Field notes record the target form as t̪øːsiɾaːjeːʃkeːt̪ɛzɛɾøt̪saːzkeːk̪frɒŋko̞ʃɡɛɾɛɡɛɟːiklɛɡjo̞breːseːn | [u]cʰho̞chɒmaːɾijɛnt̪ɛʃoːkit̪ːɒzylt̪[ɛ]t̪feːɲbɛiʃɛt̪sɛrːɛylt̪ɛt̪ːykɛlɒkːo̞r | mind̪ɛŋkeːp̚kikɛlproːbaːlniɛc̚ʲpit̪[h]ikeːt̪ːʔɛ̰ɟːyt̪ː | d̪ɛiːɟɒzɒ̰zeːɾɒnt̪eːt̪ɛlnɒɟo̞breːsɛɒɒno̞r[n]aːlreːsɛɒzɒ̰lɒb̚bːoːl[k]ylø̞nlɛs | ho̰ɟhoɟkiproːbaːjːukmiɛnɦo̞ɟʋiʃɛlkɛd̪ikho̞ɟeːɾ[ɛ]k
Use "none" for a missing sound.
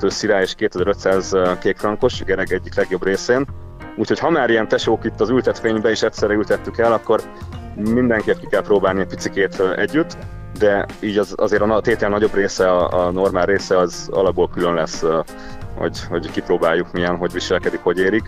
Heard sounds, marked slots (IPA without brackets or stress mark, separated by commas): uː, ɛ, s, m, k, i